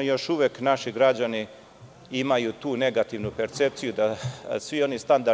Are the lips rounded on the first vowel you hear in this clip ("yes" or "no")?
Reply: yes